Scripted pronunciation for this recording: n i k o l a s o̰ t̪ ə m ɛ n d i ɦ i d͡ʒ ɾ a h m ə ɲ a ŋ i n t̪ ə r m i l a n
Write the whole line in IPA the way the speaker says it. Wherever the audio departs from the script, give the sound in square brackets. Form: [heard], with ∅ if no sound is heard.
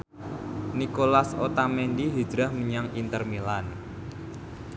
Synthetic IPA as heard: n i k o l a s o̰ t̪ [a] m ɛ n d i ɦ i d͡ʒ ɾ a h m ə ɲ a ŋ i n t̪ ə r m i l a n